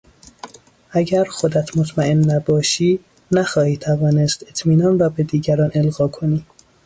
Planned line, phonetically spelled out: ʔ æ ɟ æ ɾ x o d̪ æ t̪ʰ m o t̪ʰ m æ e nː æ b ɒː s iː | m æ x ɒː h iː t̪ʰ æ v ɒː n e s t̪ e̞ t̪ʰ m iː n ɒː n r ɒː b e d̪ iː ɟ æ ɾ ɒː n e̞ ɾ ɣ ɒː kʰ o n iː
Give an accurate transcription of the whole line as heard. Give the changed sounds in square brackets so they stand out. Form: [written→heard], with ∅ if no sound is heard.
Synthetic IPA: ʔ æ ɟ æ ɾ x o d̪ æ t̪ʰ m o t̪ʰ m æ e nː æ b ɒː [s→ʃ] iː | [m→n] æ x ɒː h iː t̪ʰ æ v ɒː n e s t̪ e̞ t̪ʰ m iː n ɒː n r ɒː b e d̪ iː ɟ æ ɾ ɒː n e̞ [ɾ→l] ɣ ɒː kʰ o n iː